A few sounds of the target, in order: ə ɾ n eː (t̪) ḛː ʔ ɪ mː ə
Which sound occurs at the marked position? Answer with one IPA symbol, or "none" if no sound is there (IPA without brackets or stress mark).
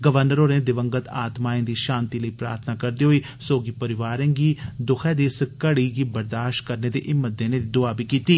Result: d̪